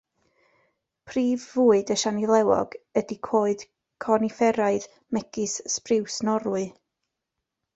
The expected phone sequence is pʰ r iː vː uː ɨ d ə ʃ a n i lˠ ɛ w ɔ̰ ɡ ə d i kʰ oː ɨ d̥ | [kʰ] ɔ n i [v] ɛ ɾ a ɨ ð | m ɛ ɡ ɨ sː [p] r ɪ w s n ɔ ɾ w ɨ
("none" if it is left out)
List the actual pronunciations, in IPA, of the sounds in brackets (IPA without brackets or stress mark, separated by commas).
kʰ, f, p